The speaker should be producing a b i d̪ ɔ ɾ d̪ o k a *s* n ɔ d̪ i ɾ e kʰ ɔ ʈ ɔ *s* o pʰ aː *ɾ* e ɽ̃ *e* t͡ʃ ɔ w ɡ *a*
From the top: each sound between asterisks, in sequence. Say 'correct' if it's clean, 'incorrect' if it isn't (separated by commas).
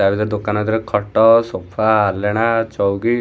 incorrect, correct, incorrect, incorrect, incorrect